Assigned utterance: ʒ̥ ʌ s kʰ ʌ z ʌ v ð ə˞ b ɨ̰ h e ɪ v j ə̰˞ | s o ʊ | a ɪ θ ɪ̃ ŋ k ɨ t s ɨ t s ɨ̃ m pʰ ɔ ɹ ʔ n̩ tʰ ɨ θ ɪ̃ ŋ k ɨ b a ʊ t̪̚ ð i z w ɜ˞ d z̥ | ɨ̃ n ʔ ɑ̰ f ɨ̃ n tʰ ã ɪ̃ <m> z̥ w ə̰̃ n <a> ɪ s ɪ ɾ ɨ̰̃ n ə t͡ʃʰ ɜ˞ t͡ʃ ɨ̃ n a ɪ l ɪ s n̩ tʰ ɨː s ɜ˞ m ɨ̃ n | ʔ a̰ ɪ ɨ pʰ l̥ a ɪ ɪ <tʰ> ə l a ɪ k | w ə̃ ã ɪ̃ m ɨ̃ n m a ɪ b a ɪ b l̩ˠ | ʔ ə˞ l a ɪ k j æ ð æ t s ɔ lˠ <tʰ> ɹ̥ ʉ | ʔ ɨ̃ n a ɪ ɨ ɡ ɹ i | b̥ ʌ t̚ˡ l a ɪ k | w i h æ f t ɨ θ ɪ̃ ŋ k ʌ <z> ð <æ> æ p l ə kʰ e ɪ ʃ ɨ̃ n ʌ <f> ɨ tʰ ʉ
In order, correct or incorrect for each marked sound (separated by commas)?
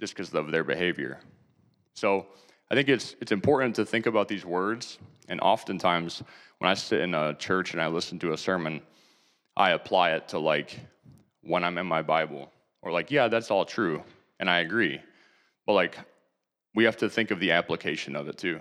correct, correct, correct, correct, incorrect, incorrect, incorrect